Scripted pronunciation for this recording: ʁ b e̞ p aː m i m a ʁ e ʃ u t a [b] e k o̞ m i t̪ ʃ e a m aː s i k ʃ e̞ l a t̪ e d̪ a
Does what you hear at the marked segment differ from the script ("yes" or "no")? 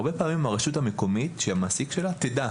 yes